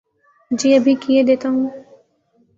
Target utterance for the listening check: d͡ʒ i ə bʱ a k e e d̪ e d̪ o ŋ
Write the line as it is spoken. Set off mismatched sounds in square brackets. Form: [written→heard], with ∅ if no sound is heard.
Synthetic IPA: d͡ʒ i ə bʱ [a→i] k [e→i] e d̪ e [d̪→t̪] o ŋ